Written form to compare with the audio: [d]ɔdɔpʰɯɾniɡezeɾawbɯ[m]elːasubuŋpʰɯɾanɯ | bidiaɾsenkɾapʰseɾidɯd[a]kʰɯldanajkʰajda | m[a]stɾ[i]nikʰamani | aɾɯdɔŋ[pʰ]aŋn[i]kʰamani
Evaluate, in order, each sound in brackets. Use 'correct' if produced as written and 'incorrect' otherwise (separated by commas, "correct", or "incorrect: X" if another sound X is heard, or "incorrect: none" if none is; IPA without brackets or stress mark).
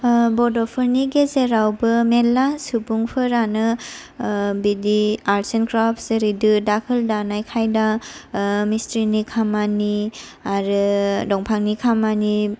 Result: incorrect: b, correct, correct, incorrect: i, correct, correct, correct